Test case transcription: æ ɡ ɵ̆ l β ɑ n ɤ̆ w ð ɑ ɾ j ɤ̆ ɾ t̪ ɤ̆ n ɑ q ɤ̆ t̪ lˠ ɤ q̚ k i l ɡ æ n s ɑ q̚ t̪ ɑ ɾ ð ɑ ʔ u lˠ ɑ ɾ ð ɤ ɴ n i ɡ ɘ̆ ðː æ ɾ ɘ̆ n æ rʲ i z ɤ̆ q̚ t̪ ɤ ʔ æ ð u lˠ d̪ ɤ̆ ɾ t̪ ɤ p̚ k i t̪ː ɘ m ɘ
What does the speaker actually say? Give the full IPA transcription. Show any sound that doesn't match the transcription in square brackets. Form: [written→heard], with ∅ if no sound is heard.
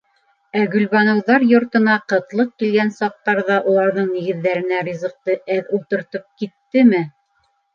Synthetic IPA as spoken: æ ɡ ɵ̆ l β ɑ n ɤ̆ w ð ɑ ɾ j [ɤ̆→ŏ] ɾ t̪ ɤ̆ n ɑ q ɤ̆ t̪ lˠ ɤ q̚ k i l ɡ æ n s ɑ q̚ t̪ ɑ ɾ ð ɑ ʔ u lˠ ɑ ɾ ð ɤ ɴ n i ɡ ɘ̆ ðː æ ɾ ɘ̆ n æ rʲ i z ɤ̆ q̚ t̪ ɤ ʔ æ ð u lˠ [d̪→t̪] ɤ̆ ɾ t̪ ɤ p̚ k i t̪ː ɘ m ɘ

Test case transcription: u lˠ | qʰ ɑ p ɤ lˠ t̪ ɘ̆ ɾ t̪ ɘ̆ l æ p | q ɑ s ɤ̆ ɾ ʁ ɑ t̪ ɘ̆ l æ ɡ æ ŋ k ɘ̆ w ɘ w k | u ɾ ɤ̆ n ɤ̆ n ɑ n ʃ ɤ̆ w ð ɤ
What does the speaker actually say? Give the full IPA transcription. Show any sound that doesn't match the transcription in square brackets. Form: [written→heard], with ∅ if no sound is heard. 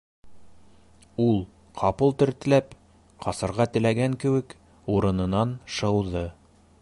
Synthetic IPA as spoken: u lˠ | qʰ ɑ p ɤ lˠ t̪ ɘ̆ ɾ t̪ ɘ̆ l æ p | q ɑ s ɤ̆ ɾ ʁ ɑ t̪ ɘ̆ l æ ɡ æ ŋ k ɘ̆ w ɘ [w→∅] k | u ɾ ɤ̆ n ɤ̆ n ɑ n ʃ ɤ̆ w ð ɤ

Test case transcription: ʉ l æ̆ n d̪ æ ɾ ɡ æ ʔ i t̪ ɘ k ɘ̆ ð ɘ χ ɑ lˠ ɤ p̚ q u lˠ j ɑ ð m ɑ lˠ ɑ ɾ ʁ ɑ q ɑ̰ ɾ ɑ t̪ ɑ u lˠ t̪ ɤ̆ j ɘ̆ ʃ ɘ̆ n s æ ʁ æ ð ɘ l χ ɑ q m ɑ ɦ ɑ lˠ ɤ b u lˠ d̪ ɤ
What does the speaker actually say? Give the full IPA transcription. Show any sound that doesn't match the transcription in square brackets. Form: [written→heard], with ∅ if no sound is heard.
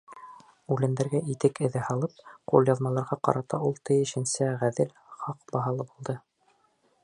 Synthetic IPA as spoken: ʉ l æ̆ n d̪ æ ɾ ɡ æ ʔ i t̪ ɘ k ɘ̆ ð ɘ [χ→h] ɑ lˠ ɤ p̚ q u lˠ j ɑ ð m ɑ lˠ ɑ ɾ ʁ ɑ q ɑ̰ ɾ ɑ t̪ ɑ u lˠ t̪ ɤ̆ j ɘ̆ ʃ ɘ̆ n s æ ʁ æ ð ɘ l χ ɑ q [m→b] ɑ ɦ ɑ lˠ ɤ b u lˠ d̪ ɤ

